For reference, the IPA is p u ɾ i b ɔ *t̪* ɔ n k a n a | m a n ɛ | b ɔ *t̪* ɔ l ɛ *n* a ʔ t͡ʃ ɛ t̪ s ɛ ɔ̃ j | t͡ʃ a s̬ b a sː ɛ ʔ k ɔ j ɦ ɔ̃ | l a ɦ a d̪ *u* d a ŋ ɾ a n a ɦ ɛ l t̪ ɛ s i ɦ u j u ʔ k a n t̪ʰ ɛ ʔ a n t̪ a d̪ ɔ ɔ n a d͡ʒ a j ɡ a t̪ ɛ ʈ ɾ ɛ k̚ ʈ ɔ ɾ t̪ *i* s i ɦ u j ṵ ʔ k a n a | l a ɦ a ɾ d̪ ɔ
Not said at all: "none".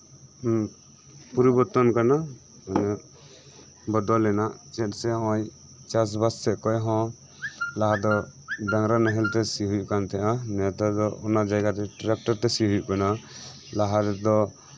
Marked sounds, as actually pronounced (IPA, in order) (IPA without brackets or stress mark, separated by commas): t̪, d̪, n, ɔ, ɛ